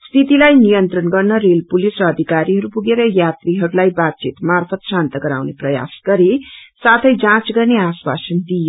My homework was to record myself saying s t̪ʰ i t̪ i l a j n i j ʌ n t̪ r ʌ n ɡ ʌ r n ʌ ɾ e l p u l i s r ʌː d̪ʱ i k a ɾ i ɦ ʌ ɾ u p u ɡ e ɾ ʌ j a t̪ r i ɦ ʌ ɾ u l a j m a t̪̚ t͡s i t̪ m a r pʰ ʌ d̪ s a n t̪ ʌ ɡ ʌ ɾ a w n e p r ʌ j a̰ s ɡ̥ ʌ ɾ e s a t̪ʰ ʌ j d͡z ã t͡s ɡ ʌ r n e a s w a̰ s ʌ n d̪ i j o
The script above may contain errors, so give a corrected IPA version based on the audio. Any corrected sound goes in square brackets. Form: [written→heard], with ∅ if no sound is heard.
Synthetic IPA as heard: s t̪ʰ i t̪ i l a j n i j ʌ n t̪ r ʌ n ɡ ʌ r n ʌ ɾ e l p u l i s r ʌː d̪ʱ i k a ɾ i ɦ ʌ ɾ u p u ɡ e ɾ ʌ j a t̪ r i ɦ ʌ ɾ u l a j [m→b] a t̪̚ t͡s i t̪ m a r pʰ ʌ [d̪→t̪] s a n t̪ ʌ ɡ ʌ ɾ a w n e p r ʌ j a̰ s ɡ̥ ʌ ɾ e s a t̪ʰ ʌ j d͡z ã t͡s ɡ ʌ r n e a s w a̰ s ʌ n d̪ i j o

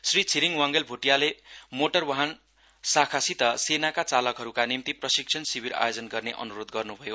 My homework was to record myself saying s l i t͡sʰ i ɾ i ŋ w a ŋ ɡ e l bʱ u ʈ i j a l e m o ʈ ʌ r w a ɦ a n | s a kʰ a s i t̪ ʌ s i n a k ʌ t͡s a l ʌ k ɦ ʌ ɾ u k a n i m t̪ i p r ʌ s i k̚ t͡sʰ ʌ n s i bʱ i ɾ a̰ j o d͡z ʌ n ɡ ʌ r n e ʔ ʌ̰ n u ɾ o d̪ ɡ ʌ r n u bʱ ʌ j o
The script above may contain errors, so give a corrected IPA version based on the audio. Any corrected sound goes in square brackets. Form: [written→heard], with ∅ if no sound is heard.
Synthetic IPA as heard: s [l→r] i t͡sʰ i ɾ i ŋ w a ŋ ɡ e l bʱ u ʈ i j a l e m o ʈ ʌ r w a ɦ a n | s a kʰ a s i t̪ ʌ s [i→e] n a k [ʌ→a] t͡s a l ʌ k ɦ ʌ ɾ u k a n i m t̪ i p r ʌ s i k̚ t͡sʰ ʌ n s i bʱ i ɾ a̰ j o d͡z ʌ n ɡ ʌ r n e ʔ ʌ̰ n u ɾ o d̪ ɡ ʌ r n u bʱ ʌ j o

